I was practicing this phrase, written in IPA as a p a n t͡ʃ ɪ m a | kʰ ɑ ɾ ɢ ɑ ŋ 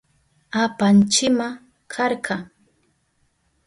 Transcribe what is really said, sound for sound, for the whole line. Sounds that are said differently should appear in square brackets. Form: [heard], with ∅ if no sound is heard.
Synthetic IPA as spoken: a p a n t͡ʃ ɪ m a | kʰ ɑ ɾ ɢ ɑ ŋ